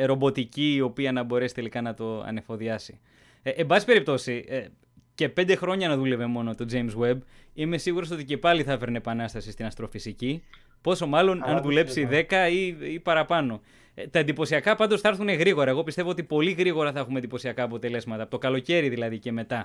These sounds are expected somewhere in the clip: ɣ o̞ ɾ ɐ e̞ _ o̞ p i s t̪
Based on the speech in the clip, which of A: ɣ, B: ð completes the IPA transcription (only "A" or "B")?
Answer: A